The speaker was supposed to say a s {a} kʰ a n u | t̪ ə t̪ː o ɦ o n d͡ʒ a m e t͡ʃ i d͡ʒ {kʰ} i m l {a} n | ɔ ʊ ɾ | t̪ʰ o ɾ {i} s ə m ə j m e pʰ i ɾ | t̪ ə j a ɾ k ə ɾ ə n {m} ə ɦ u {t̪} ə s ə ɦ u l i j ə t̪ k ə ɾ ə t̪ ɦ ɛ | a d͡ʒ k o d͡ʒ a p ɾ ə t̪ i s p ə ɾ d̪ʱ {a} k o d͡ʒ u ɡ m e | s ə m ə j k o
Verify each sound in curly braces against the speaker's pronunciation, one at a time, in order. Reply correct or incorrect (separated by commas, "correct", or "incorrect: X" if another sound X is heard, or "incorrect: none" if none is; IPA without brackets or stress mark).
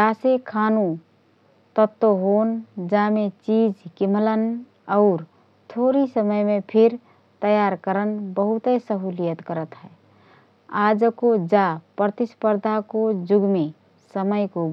incorrect: e, incorrect: k, incorrect: ə, correct, incorrect: b, correct, correct